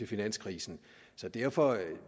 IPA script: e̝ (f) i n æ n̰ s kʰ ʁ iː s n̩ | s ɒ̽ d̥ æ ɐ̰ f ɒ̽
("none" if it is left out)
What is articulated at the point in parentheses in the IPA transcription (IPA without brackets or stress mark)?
f